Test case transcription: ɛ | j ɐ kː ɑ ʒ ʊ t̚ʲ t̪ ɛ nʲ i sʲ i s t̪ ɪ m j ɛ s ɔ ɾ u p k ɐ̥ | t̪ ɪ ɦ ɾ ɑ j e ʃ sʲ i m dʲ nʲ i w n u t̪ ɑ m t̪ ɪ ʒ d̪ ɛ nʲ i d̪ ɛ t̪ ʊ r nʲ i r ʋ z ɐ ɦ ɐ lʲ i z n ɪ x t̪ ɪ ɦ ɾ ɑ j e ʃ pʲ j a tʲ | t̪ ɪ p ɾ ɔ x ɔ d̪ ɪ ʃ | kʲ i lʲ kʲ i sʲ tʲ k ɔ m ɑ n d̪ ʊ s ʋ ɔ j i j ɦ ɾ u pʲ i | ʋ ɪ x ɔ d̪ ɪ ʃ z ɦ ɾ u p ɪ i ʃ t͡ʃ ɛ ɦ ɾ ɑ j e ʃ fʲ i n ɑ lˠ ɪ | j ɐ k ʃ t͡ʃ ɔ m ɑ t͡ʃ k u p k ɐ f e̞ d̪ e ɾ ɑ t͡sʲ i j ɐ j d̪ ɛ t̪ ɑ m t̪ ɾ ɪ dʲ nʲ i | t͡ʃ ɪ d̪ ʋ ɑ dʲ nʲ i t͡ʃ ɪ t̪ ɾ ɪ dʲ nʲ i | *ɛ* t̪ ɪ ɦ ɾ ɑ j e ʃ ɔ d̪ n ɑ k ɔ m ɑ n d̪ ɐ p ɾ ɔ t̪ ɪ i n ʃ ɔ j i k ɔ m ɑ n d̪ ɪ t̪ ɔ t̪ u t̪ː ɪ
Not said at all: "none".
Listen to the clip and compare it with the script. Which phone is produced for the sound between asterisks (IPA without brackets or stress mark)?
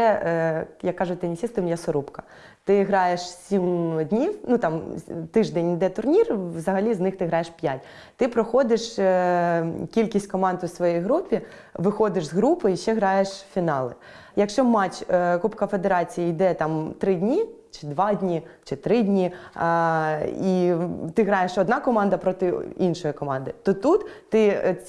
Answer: i